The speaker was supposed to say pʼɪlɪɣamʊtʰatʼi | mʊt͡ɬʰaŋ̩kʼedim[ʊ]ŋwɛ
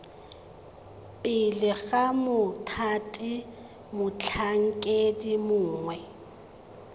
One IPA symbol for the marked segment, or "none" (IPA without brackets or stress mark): ʊː